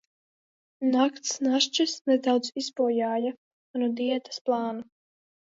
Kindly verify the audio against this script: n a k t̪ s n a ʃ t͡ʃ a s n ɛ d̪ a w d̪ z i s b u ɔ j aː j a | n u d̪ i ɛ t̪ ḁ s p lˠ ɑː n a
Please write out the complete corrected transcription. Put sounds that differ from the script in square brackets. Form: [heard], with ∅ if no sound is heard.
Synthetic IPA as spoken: n a k t̪ s n a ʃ t͡ʃ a s n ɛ d̪ a w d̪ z i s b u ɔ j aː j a | n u d̪ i ɛ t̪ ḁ s p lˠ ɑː n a